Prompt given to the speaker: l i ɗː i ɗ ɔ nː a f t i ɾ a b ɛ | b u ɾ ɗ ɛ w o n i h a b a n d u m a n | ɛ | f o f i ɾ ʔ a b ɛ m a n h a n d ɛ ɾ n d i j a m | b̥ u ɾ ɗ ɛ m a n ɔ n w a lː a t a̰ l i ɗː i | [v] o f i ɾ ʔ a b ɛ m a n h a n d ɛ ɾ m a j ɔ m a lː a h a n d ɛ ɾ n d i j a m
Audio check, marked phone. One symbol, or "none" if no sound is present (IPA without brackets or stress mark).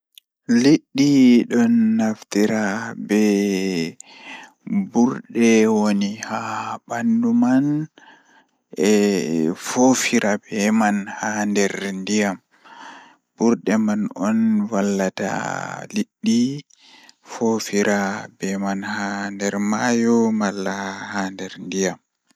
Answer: f